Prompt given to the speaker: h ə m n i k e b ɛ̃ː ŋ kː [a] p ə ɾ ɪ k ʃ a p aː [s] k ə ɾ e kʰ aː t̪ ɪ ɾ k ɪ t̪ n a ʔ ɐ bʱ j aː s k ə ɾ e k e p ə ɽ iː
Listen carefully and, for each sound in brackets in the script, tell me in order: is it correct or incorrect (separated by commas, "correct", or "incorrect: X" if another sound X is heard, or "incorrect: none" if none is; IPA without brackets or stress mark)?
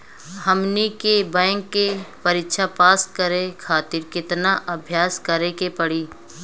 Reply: incorrect: e, correct